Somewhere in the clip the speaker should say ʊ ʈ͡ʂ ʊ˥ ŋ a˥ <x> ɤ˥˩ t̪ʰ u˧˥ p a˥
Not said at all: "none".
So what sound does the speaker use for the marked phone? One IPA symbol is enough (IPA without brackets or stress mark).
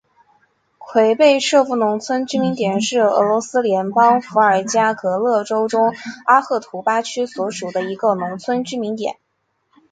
x